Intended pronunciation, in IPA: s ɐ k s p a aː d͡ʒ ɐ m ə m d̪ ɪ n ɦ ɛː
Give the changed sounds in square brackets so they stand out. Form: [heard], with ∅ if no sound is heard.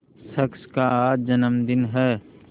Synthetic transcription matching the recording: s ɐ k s [k] a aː d͡ʒ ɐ [n] ə m d̪ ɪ n ɦ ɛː